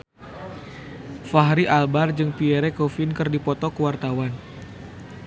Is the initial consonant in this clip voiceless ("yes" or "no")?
yes